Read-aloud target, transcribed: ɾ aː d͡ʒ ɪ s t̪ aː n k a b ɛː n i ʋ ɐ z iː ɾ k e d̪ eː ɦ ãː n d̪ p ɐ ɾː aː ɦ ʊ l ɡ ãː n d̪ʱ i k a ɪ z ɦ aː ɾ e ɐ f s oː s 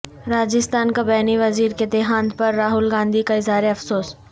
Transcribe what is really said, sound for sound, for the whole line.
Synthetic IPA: ɾ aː d͡ʒ ɪ s t̪ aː n k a b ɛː n i ʋ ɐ z iː ɾ k e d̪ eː ɦ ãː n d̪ p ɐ ɾː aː ɦ ʊ l ɡ ãː n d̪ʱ i k a ɪ z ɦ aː ɾ e ɐ f s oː s